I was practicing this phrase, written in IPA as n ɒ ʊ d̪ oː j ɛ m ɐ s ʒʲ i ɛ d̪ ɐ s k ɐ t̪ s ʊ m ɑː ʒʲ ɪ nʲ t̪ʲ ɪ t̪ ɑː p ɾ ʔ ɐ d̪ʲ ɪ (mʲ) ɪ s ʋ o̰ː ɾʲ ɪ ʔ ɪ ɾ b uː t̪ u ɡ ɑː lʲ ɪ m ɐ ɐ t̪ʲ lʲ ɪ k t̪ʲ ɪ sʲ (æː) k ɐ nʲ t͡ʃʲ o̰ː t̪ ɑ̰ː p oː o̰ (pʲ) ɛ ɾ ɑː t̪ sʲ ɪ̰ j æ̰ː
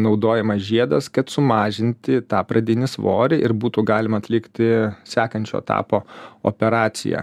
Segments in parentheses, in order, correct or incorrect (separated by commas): incorrect, correct, correct